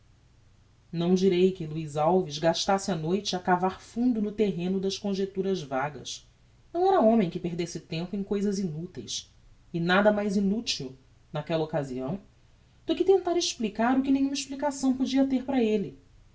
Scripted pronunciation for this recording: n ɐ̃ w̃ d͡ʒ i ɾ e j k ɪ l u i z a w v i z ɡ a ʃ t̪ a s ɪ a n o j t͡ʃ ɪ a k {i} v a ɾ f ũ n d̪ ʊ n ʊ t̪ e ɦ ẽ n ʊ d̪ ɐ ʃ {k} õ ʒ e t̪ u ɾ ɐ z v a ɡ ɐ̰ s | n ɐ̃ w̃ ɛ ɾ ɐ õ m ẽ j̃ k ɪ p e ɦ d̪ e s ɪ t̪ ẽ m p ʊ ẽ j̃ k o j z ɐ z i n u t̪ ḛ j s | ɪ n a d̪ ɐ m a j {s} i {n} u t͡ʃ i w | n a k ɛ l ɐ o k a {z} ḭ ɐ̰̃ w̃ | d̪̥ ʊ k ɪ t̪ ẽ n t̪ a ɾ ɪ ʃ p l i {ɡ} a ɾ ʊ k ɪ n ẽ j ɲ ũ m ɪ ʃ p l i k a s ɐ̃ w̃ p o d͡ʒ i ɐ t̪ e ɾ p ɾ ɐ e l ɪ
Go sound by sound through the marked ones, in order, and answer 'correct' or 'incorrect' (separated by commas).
incorrect, correct, incorrect, correct, correct, incorrect